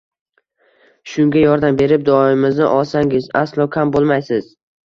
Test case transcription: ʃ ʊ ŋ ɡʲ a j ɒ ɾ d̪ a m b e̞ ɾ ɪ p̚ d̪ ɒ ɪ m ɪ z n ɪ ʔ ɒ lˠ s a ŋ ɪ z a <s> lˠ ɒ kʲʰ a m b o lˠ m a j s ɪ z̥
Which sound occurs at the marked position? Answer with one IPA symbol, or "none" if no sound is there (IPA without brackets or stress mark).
s